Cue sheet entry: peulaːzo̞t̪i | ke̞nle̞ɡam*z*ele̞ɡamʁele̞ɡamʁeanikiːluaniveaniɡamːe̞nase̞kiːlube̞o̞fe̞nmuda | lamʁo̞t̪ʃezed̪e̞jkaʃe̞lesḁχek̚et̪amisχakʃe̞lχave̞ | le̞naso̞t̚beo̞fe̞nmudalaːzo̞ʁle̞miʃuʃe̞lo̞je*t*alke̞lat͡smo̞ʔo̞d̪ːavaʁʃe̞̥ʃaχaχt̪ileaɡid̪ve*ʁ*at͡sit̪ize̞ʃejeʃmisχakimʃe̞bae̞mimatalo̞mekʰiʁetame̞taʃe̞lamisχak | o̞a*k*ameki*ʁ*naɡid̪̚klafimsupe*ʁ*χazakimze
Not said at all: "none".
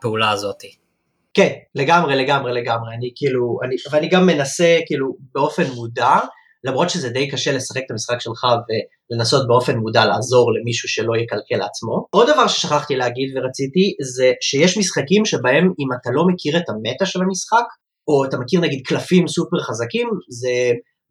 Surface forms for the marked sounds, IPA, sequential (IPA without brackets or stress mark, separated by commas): ʁ, k, ʁ, t, ʁ, ʁ